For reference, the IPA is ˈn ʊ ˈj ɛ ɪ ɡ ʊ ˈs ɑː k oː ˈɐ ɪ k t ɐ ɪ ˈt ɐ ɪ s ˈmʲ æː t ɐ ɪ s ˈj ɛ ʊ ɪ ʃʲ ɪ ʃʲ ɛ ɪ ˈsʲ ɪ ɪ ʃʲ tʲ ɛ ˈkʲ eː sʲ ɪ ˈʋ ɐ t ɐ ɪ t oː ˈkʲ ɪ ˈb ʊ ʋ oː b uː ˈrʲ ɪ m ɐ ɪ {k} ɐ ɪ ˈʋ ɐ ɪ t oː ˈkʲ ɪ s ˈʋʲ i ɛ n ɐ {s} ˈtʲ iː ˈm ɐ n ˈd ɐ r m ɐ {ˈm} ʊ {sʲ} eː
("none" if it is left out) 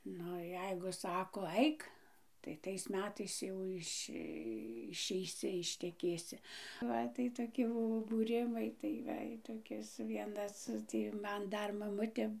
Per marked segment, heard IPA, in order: t, s, m, tʲ

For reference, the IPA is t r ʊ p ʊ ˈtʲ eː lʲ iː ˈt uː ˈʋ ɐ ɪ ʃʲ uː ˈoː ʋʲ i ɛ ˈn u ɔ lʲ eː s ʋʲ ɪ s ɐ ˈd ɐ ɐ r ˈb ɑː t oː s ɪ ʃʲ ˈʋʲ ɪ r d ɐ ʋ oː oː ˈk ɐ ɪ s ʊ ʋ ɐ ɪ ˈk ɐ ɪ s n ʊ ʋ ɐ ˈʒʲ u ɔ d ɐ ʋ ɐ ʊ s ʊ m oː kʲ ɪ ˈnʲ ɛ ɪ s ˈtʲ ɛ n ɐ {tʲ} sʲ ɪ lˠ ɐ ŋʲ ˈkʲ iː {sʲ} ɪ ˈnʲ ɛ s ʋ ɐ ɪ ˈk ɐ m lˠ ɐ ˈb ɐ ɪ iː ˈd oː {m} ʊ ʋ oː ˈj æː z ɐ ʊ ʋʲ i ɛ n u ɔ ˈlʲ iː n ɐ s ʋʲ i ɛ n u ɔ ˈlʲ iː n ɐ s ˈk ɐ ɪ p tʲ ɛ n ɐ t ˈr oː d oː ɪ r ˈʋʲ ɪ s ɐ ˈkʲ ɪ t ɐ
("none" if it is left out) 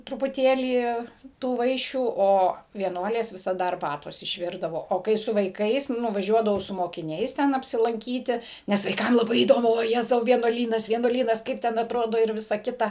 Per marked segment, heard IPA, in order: pʲ, tʲ, m

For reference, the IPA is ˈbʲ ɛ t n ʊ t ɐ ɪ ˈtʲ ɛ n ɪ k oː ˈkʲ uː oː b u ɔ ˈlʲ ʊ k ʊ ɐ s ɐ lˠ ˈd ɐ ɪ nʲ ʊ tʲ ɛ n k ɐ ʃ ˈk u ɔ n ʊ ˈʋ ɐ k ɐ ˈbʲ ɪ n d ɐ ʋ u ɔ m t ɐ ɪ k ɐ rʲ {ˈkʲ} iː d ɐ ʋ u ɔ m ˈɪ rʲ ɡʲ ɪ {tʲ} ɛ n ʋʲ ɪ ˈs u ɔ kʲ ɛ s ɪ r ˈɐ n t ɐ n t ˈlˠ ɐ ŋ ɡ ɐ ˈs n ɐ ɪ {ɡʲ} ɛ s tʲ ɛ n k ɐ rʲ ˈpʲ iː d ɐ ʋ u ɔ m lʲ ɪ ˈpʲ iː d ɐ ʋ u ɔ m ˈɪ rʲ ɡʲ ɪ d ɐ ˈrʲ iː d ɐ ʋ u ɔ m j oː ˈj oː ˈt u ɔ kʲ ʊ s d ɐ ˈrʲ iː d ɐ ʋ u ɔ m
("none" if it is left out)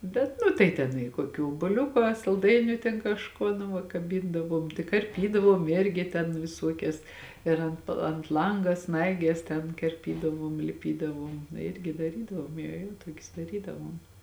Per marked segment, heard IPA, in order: pʲ, tʲ, ɡʲ

